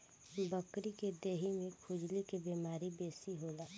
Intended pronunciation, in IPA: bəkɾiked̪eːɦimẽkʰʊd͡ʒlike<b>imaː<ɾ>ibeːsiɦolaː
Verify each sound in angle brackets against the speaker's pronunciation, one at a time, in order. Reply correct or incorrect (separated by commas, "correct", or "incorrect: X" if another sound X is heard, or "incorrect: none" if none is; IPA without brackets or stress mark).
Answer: correct, correct